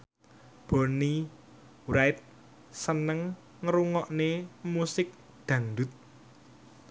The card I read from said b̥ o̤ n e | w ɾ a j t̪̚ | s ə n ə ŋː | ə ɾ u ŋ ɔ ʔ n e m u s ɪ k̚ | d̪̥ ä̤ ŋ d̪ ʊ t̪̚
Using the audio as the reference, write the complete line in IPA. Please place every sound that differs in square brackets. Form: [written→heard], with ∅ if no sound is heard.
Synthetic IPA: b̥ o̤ n [e→i] | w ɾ a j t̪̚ | s ə n ə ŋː | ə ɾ u ŋ ɔ ʔ n e m u s ɪ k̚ | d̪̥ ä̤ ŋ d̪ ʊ t̪̚